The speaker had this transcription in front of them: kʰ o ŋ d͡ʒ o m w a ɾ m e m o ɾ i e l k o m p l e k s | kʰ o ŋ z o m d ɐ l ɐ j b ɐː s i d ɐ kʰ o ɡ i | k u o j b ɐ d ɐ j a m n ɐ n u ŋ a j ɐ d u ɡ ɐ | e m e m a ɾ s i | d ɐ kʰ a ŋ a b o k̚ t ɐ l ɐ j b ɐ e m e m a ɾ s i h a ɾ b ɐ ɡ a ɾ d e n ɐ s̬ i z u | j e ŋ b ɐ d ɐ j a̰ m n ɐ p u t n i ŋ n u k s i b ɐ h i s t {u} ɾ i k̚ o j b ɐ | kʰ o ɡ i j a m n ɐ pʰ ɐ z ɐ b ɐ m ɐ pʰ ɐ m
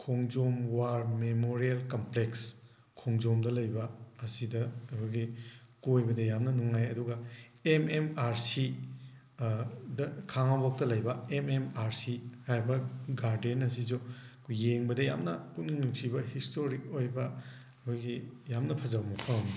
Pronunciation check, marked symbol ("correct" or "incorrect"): incorrect